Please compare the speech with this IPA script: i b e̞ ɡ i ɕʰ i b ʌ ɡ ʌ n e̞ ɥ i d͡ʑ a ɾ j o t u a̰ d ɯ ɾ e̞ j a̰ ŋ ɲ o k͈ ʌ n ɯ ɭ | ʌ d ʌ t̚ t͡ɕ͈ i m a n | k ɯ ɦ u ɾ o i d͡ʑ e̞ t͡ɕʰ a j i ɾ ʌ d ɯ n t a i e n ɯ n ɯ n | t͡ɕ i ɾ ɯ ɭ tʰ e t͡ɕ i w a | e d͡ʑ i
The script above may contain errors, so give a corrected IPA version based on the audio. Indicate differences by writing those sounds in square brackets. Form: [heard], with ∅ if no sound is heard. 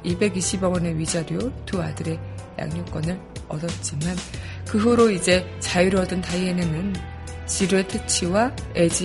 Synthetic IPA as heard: i b e̞ ɡ i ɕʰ i b ʌ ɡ ʌ n e̞ ɥ i d͡ʑ a ɾ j o t u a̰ d ɯ ɾ e̞ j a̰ ŋ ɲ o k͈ ʌ n ɯ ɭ | ʌ d ʌ t̚ t͡ɕ͈ i m a n | k ɯ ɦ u ɾ o i d͡ʑ e̞ [t͡ɕ] a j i ɾ ʌ d ɯ n t a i e n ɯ n ɯ n | t͡ɕ i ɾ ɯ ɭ tʰ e [t͡ɕʰ] i w a | e d͡ʑ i